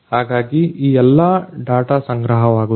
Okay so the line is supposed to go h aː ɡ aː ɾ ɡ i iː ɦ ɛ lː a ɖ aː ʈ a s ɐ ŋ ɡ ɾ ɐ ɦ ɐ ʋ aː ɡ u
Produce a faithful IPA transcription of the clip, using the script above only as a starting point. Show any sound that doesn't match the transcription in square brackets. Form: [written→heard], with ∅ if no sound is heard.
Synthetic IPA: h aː ɡ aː [ɾ→∅] ɡ i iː [ɦ→∅] ɛ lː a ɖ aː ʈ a s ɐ ŋ ɡ ɾ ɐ ɦ ɐ ʋ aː ɡ u